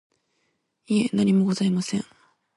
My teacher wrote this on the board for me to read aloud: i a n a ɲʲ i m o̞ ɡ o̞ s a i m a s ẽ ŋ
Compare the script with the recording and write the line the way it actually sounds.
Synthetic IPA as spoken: i e n a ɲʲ i m o̞ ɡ o̞ z a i m a s ẽ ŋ